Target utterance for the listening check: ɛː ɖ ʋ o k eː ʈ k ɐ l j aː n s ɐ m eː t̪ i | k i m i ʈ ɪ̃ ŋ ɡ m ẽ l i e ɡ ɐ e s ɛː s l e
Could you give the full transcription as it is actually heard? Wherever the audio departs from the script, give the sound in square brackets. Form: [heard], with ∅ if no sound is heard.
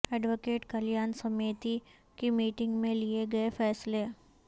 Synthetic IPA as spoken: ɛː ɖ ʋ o k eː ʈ k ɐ l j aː n s ɐ m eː t̪ i | k i m [iː] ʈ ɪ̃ ŋ ɡ m ẽ l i e ɡ ɐ e [f] ɛː s l e